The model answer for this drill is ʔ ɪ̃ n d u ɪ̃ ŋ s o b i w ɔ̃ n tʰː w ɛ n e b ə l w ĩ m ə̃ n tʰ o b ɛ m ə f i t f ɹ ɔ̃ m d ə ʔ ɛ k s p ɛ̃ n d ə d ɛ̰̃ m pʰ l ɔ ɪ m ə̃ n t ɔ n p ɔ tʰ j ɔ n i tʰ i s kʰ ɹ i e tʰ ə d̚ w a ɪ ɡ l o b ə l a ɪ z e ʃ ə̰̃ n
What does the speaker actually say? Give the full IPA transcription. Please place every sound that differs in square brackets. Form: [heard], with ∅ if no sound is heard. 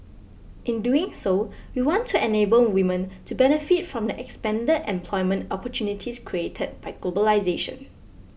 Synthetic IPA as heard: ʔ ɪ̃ n d u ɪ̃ ŋ s o [w] i w ɔ̃ n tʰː [u] ɛ n e b ə l w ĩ m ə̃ n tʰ [u] b ɛ [n] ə f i t f ɹ ɔ̃ m d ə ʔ ɛ k s p ɛ̃ n d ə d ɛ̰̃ m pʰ l ɔ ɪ m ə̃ n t ɔ [∅] p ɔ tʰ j [u] n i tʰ i s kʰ ɹ i e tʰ ə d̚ [b] a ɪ ɡ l o b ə l a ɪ z e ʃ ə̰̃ n